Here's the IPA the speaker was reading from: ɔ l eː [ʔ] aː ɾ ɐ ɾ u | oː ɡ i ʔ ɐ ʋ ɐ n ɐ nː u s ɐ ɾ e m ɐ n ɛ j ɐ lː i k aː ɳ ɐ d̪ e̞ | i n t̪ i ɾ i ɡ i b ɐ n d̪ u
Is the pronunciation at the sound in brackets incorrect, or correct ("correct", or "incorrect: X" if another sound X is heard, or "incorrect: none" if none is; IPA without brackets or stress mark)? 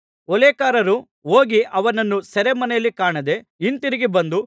incorrect: k